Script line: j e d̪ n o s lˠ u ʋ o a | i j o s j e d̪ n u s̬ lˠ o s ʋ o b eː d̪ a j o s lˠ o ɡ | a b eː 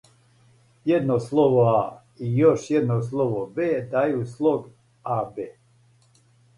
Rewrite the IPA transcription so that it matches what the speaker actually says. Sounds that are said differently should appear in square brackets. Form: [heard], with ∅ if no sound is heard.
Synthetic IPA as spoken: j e d̪ n o s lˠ [o] ʋ o a | i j o [ʃ] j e d̪ n [o] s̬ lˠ o [∅] ʋ o b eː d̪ a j [u] s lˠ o ɡ | a b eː